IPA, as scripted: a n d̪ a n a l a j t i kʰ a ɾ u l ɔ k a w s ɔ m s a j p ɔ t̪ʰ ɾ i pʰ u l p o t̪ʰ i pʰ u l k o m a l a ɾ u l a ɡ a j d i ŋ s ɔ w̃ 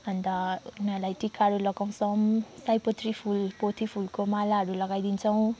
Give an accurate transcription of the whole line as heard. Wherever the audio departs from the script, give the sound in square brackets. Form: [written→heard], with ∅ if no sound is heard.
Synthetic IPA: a n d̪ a n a l a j t i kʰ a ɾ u l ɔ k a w s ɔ m s a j p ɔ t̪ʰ ɾ i pʰ u l p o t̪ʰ i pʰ u l k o m a l a ɾ u l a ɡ a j d i [ŋ→n] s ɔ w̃